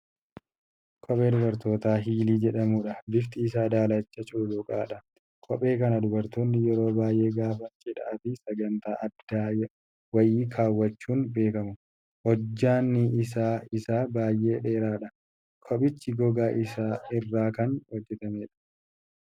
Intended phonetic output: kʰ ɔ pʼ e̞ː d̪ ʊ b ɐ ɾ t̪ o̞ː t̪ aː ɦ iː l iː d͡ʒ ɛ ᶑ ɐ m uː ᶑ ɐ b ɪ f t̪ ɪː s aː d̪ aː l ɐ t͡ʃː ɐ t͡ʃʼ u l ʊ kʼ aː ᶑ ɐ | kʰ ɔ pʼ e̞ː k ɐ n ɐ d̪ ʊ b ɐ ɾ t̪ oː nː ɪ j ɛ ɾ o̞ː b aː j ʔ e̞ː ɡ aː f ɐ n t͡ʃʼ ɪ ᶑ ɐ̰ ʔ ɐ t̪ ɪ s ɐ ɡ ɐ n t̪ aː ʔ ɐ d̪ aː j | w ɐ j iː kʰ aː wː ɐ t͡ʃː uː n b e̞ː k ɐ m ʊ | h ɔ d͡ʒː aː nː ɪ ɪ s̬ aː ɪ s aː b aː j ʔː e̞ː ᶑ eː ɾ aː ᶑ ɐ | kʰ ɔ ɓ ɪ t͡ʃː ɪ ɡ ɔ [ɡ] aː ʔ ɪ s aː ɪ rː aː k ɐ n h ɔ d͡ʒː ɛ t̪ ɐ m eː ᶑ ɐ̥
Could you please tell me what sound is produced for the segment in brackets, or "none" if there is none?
ɡ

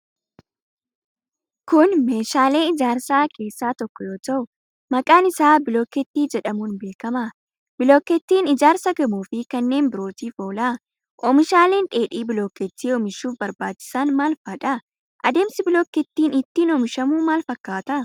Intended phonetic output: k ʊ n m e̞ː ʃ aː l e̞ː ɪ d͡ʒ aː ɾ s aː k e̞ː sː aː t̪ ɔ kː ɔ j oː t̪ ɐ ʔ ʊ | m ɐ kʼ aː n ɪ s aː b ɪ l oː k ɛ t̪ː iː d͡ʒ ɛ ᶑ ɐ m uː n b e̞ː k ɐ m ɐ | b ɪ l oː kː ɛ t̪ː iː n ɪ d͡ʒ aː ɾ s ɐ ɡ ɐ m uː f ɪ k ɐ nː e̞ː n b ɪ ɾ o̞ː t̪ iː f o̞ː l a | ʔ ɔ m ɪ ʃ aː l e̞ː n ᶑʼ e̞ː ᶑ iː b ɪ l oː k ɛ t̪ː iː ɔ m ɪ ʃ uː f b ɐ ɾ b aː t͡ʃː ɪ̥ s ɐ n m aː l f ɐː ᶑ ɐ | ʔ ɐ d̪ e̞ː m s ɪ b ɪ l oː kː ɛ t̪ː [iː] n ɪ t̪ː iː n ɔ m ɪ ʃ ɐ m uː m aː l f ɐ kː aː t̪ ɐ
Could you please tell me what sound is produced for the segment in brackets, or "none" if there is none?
iː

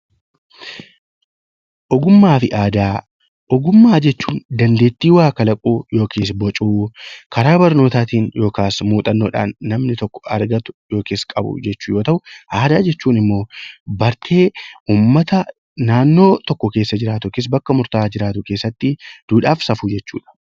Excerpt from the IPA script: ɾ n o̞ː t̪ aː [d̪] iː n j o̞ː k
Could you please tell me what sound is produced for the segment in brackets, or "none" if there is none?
t̪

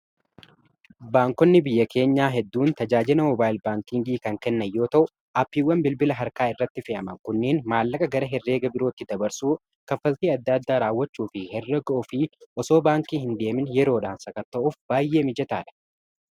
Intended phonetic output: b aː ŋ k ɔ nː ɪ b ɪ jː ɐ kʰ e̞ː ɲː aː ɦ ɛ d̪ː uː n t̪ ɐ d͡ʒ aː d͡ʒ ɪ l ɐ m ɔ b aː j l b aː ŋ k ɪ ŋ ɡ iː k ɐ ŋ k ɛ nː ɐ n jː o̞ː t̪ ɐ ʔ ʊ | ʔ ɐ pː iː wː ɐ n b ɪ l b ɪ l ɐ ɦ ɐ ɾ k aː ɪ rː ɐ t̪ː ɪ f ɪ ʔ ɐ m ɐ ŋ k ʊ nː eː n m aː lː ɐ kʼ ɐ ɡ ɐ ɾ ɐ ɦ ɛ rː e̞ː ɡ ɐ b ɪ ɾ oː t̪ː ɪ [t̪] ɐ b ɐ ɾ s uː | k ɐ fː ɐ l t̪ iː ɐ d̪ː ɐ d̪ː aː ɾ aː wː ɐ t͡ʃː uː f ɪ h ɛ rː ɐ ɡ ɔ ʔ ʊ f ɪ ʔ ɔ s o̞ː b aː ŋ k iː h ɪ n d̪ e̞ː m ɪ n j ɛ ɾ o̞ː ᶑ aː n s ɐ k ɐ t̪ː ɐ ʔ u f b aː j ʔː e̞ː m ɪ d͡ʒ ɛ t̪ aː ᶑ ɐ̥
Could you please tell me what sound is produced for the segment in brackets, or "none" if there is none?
d̪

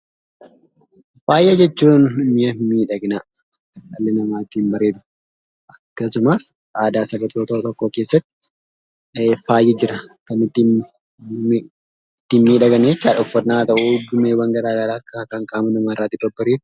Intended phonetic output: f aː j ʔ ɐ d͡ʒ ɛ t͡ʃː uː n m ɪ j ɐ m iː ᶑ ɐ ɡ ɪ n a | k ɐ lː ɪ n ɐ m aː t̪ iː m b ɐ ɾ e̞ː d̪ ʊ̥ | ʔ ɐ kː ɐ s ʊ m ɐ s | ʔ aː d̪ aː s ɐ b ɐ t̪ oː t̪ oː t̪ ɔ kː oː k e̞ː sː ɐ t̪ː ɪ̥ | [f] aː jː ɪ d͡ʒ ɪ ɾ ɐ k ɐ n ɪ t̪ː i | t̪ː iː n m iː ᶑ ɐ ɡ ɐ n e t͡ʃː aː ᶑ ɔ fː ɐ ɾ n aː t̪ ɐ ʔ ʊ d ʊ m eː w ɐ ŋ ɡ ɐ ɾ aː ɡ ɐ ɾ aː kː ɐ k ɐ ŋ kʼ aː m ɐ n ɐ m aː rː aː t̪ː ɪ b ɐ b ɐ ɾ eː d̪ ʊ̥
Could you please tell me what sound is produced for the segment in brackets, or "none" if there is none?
f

